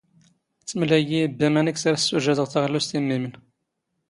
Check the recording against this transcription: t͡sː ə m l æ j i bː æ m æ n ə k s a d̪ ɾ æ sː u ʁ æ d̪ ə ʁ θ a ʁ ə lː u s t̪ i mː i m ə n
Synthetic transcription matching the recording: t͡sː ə m l æ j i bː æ m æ n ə k s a ɾ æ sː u ʒ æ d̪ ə ʁ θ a ʁ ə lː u s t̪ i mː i m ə n